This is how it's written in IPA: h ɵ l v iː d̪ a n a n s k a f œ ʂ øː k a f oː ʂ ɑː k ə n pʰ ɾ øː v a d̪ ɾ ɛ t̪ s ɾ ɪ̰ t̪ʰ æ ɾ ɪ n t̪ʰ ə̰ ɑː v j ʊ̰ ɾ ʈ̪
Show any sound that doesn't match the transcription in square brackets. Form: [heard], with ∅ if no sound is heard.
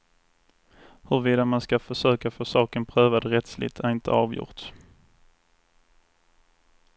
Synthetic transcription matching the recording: h ɵ [ɾ] v iː d̪ a [m] a n s k a f œ ʂ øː k a f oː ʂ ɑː k ə n pʰ ɾ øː v a d̪ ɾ ɛ t̪ s [l] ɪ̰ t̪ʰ æ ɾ ɪ n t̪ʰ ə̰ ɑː v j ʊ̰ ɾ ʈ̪